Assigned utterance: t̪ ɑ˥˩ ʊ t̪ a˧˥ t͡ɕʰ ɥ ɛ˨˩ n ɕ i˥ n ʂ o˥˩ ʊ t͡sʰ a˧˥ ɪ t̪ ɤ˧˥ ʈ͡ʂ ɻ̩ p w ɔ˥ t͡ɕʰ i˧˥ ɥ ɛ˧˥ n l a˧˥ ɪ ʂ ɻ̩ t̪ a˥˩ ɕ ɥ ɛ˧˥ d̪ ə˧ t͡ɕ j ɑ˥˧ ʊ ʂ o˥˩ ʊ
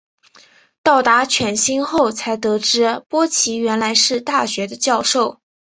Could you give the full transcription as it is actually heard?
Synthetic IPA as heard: t̪ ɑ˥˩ ʊ t̪ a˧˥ t͡ɕʰ ɥ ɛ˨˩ n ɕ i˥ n x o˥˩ ʊ t͡sʰ a˧˥ ɪ t̪ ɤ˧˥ ʈ͡ʂ ɻ̩ p w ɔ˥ t͡ɕʰ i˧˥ ɥ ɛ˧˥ n l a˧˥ ɪ ʂ ɻ̩ t̪ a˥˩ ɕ ɥ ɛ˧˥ d̪ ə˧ t͡ɕ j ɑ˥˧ ʊ ʂ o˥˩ ʊ